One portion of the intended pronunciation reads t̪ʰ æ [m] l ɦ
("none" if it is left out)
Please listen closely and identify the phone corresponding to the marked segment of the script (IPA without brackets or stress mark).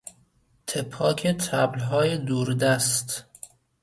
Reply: b